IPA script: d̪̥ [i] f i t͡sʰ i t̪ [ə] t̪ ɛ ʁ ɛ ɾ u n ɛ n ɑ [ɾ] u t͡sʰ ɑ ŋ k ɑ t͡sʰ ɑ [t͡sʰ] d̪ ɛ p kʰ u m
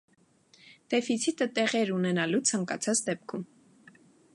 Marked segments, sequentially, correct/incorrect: incorrect, correct, incorrect, incorrect

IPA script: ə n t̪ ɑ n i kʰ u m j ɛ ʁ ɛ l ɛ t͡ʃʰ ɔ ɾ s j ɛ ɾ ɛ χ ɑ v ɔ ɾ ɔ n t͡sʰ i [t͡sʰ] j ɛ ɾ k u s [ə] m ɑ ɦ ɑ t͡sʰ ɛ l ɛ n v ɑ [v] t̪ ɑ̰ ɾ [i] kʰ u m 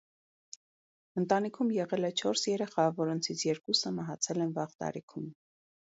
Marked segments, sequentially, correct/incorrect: correct, correct, incorrect, correct

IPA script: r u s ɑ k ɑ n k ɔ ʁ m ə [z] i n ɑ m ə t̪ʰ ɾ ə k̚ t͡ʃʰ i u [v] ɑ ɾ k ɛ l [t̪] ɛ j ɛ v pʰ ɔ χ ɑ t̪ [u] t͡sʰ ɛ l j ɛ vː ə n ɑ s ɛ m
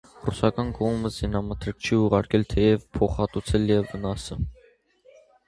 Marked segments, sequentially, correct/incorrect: correct, incorrect, incorrect, correct

